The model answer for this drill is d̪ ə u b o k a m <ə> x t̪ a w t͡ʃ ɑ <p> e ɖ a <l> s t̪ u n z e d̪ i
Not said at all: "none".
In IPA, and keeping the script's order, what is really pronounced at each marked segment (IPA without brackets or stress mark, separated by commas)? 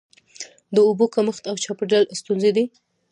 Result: ə, p, l